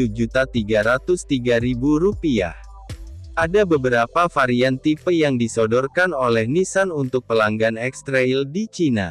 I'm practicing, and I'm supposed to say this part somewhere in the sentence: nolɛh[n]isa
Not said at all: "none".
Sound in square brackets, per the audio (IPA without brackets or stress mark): n